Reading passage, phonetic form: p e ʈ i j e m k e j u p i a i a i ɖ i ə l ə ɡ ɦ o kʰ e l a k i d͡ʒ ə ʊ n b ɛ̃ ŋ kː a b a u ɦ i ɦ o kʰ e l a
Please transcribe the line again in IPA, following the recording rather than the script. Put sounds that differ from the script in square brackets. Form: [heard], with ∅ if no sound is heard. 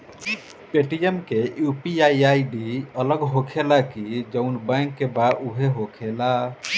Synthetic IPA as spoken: p e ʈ i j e m k e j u p i a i a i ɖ i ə l ə ɡ ɦ o kʰ e l a k i d͡ʒ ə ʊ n b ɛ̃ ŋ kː [e] b a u ɦ [e] ɦ o kʰ e l a